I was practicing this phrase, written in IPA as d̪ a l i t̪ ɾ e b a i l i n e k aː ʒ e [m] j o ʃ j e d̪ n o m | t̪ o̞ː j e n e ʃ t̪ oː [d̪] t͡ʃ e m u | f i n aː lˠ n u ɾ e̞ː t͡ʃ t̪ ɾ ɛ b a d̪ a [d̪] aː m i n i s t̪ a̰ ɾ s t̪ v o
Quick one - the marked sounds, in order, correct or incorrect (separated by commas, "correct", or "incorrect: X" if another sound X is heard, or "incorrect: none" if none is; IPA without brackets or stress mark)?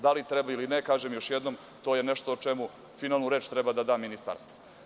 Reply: correct, incorrect: none, correct